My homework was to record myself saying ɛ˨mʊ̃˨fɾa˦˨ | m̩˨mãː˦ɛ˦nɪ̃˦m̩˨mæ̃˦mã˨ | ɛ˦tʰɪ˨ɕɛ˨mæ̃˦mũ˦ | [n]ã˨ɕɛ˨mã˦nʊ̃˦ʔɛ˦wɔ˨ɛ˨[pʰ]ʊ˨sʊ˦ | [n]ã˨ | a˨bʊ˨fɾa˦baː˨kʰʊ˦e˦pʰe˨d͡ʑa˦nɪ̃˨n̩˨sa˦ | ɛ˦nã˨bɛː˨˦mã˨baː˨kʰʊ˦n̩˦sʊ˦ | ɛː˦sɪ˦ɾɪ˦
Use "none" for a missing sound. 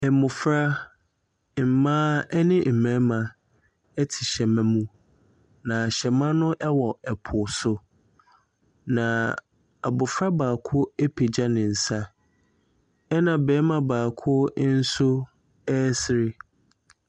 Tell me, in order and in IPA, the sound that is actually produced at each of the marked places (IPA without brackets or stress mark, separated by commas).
n, pʰ, n